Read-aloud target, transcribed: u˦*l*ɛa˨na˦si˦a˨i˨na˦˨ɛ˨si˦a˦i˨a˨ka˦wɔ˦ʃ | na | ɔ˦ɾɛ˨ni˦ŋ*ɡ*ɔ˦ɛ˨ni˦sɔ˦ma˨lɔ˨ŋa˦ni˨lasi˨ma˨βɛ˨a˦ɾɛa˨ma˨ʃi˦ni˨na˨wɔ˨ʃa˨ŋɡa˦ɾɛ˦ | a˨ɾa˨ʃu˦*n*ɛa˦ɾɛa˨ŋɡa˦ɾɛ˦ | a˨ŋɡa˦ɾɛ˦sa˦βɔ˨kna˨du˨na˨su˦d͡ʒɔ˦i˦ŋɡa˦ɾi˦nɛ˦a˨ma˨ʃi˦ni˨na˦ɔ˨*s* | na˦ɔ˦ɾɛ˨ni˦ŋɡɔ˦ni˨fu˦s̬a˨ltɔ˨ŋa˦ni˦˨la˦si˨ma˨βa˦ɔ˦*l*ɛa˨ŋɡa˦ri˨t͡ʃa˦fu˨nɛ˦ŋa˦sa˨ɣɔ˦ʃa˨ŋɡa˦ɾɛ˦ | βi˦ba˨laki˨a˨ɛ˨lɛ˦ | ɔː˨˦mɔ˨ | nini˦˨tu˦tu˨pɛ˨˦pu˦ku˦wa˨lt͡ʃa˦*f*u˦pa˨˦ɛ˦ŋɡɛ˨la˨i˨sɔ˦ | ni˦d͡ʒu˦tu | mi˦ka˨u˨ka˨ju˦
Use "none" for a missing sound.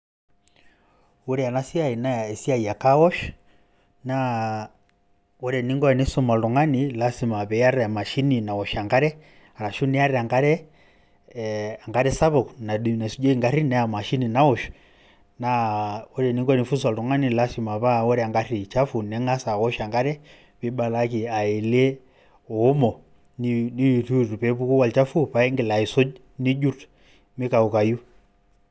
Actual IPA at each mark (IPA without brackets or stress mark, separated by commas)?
ɾ, ɡ, n, ʃ, ɾ, f